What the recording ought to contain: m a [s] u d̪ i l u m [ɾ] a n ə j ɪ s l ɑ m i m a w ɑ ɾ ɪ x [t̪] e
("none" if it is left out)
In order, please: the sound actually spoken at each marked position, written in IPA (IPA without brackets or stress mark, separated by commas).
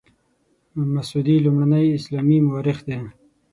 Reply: s, ɽ, d̪